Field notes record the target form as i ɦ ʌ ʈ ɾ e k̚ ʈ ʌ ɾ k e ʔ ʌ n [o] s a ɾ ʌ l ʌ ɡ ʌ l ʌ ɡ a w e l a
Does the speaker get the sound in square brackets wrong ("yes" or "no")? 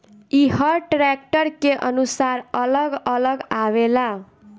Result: yes